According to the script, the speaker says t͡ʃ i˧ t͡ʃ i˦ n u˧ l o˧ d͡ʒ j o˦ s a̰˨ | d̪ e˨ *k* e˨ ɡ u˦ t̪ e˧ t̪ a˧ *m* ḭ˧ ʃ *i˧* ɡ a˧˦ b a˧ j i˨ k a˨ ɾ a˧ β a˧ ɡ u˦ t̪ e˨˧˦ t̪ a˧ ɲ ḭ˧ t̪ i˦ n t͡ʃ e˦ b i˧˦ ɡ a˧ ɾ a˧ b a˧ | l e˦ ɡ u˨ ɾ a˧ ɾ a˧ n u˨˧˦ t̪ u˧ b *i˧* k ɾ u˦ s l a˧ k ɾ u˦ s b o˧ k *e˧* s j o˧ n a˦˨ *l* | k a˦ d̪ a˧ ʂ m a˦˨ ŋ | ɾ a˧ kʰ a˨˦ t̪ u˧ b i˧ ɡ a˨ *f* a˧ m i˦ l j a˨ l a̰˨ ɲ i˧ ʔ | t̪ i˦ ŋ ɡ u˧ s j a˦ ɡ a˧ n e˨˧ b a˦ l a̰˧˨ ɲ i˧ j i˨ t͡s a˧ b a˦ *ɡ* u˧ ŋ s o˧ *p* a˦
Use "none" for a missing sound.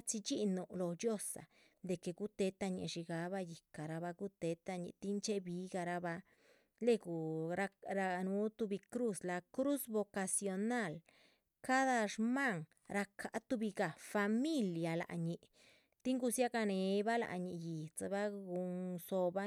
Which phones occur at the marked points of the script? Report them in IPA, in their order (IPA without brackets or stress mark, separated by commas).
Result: k, ɲ, i˧, i˧, a˧, l, f, ɡ, b